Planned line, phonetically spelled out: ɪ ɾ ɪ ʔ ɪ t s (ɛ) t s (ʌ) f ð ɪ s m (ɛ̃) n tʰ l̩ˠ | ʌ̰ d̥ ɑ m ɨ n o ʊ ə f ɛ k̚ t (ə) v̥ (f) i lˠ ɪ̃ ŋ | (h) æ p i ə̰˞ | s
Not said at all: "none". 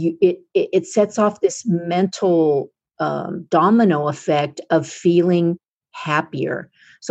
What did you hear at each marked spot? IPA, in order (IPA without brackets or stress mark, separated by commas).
ɛ, ɔ, ɛ̃, ʌ, f, h